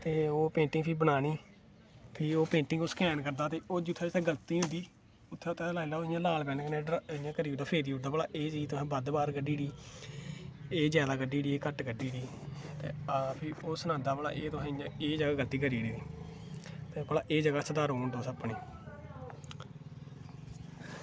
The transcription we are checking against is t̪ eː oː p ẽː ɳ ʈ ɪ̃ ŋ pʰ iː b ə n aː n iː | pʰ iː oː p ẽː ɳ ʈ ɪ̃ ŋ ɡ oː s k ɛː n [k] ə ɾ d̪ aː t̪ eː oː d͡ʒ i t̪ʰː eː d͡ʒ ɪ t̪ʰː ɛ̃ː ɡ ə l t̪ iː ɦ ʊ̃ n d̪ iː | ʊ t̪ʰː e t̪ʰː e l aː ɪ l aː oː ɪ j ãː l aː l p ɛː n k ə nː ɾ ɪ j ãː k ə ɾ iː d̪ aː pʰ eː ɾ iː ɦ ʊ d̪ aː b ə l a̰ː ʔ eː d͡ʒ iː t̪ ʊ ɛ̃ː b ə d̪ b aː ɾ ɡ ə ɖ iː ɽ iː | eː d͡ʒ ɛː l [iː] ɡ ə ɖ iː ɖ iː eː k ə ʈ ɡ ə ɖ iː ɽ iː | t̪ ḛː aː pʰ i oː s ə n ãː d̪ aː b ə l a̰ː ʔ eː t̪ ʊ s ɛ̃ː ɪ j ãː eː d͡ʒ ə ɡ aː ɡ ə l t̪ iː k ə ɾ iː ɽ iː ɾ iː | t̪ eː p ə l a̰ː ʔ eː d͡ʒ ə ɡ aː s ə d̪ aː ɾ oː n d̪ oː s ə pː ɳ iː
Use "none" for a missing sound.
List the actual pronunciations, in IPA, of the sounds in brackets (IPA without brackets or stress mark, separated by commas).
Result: k, aː